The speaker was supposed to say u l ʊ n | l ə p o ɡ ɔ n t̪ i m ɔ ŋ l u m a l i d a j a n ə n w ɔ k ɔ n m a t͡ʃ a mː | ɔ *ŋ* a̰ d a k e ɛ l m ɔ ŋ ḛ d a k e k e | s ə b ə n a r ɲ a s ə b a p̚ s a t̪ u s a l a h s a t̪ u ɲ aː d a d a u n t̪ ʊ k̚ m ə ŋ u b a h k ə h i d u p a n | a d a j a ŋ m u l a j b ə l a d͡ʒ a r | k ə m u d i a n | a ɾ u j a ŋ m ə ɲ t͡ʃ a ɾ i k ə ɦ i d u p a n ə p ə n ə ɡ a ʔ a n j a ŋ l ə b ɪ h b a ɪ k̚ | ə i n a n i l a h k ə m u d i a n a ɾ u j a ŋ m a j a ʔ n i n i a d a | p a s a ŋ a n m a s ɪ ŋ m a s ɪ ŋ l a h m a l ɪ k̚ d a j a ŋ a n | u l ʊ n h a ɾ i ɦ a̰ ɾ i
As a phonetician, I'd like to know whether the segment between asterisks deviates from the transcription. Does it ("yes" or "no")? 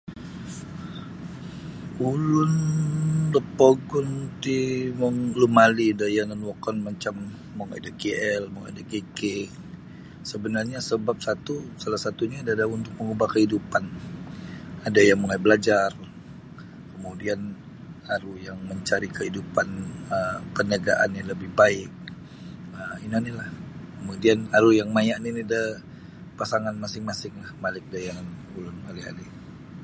no